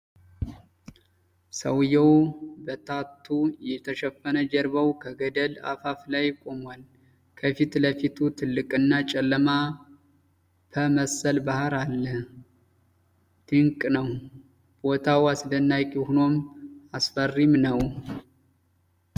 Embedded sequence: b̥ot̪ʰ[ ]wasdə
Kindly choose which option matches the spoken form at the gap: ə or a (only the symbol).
a